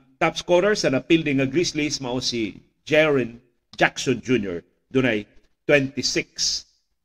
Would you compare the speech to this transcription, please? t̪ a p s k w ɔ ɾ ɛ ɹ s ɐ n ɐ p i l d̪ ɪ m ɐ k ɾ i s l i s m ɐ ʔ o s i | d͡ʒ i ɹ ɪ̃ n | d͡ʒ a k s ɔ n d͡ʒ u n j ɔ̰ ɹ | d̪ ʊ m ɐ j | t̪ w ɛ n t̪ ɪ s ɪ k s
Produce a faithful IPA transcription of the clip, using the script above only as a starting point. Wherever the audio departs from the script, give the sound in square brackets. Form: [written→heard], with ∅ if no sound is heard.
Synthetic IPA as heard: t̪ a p s k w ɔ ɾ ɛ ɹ s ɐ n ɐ p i l d̪ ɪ [m→ŋ] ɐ [k→ɡ] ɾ i s l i s m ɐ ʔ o s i | d͡ʒ [i→ɛ] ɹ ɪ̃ n | d͡ʒ a k s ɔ n d͡ʒ u n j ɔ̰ ɹ | d̪ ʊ [m→n] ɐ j | t̪ w ɛ n t̪ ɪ s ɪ k s